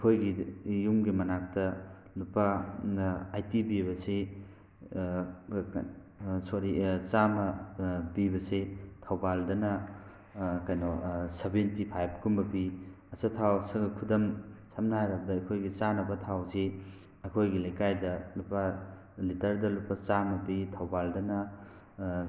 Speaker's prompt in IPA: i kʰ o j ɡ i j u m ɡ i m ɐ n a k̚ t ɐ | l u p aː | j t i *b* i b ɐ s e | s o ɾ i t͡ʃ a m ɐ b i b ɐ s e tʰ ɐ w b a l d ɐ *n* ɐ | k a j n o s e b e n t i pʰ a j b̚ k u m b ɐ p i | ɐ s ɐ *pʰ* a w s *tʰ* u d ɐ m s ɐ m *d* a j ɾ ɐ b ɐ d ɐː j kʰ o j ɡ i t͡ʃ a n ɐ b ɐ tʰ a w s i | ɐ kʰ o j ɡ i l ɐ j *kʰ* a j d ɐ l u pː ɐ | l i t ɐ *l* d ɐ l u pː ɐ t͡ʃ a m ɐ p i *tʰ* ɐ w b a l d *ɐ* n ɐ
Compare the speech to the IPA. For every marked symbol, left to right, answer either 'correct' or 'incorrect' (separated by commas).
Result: correct, correct, incorrect, incorrect, incorrect, incorrect, incorrect, correct, correct